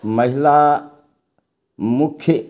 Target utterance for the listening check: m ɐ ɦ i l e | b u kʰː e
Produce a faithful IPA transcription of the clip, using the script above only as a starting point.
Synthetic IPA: m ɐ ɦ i l a | m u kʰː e